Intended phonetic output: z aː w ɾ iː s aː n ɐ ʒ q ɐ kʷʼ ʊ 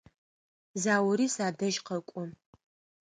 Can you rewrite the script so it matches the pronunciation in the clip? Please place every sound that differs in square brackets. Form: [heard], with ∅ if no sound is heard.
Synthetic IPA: z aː w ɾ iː s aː [d] ɐ ʒ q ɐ kʷʼ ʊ